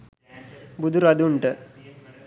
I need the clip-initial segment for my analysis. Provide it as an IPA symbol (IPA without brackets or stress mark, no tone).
b